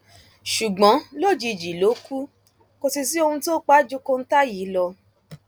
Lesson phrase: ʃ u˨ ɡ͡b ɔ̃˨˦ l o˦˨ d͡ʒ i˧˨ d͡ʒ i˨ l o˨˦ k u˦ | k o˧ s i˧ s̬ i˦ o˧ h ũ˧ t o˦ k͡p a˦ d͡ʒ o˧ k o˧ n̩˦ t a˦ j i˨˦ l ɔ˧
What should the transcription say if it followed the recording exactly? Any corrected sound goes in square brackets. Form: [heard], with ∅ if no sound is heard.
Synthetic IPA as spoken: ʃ u˨ ɡ͡b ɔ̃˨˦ l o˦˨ d͡ʒ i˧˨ d͡ʒ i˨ l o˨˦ k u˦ | k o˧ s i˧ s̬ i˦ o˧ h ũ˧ t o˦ k͡p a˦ d͡ʒ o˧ k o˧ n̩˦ t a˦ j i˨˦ l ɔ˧